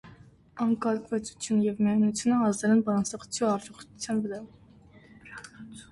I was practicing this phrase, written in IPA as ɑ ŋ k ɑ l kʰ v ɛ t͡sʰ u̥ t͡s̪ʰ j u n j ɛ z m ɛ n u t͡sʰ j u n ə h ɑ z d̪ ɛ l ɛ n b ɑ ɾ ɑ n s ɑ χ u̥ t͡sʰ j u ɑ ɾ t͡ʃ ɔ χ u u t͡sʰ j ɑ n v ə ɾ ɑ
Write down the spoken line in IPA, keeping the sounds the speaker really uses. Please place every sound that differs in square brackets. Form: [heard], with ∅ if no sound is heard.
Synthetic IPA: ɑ ŋ k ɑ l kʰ v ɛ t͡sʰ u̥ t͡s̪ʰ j u n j ɛ [v] m ɛ n u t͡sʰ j u n ə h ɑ z d̪ ɛ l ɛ n b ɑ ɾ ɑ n s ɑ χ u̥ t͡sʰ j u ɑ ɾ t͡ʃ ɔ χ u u t͡sʰ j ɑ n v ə ɾ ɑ